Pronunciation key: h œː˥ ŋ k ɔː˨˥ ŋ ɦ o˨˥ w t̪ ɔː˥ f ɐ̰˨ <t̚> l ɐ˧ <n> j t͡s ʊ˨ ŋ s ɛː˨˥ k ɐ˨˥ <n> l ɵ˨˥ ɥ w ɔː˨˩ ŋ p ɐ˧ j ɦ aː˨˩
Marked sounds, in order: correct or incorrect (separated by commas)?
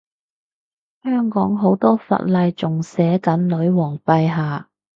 correct, incorrect, correct